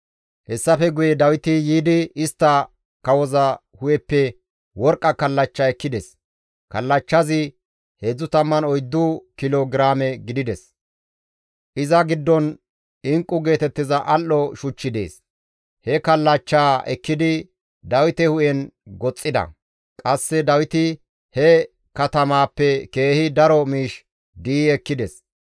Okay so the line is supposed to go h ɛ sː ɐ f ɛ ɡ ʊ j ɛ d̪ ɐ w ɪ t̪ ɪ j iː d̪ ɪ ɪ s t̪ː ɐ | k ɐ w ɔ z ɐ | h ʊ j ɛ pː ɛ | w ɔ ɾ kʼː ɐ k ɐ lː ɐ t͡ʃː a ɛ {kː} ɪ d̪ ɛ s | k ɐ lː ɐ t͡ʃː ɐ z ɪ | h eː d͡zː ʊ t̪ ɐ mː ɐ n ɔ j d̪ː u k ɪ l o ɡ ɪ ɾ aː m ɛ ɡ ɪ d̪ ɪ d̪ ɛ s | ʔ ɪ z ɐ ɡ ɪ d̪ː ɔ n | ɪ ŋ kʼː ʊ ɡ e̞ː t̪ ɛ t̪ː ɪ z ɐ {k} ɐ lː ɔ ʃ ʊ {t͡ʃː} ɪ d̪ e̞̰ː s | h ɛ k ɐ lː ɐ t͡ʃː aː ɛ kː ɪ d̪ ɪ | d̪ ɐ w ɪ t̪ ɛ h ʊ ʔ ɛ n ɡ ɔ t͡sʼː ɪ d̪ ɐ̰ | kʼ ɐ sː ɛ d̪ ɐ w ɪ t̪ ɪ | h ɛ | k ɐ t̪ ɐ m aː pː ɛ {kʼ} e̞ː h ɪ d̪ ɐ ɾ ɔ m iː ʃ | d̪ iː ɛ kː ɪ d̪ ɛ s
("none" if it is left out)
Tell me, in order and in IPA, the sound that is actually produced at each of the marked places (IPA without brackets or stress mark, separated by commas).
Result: kː, ʔ, t͡ʃː, k